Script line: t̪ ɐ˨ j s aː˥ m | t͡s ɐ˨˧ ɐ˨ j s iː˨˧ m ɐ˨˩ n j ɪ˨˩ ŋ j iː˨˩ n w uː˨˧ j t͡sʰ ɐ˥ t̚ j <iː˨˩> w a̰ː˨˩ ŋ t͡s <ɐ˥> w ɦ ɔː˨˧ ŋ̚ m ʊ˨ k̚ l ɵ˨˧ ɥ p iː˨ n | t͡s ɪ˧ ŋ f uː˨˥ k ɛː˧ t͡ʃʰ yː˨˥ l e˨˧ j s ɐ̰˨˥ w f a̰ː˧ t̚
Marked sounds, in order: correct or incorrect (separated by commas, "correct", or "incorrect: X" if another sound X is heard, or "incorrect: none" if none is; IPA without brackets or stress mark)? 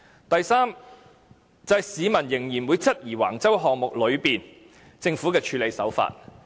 correct, correct